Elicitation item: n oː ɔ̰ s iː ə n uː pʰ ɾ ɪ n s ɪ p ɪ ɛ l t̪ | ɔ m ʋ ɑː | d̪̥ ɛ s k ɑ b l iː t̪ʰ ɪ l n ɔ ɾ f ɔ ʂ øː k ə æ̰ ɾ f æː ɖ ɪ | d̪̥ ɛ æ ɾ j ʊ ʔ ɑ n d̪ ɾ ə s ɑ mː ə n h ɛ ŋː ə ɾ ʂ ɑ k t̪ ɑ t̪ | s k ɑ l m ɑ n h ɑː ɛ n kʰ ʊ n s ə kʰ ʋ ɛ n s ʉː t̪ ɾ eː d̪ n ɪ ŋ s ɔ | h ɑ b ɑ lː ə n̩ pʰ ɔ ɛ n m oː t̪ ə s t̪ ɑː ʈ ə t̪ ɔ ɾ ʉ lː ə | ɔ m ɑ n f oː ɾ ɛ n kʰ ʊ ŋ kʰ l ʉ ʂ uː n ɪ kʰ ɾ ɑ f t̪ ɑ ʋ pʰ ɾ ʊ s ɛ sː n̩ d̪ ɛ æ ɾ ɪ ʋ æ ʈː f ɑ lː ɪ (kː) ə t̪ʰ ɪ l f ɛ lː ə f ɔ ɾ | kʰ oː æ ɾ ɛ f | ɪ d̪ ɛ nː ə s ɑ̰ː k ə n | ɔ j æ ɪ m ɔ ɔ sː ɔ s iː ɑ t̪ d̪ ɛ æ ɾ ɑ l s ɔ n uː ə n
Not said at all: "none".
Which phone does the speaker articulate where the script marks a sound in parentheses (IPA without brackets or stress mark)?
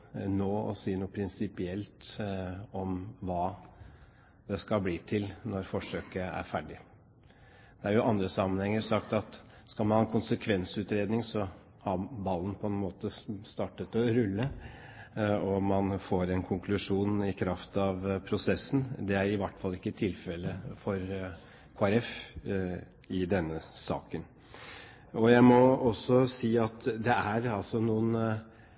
kː